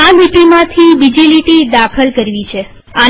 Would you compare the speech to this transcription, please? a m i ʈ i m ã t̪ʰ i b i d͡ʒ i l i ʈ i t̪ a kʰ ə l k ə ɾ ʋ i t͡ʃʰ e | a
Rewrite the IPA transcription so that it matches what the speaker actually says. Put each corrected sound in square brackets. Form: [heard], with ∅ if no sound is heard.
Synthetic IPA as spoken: a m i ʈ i m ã t̪ʰ i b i d͡ʒ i l i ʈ i [d̪] a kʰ ə l k ə ɾ ʋ i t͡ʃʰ e | a